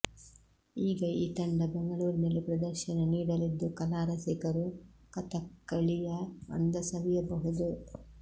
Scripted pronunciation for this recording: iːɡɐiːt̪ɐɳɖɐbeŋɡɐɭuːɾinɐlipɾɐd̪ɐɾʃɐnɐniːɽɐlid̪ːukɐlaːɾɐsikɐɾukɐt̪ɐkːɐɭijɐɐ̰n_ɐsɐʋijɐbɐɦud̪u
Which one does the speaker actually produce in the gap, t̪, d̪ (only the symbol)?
d̪